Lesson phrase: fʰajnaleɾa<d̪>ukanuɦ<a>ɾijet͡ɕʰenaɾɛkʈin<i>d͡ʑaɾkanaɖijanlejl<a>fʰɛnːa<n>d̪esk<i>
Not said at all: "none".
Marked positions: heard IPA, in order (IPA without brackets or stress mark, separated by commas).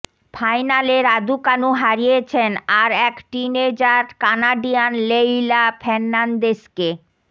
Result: d̪, a, e, a, n, e